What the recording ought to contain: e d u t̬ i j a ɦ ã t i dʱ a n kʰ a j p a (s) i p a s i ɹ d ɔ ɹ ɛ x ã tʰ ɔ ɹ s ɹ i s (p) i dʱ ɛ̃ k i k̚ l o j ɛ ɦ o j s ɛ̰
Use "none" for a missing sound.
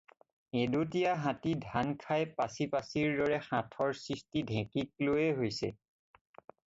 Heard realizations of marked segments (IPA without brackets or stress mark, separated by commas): s, t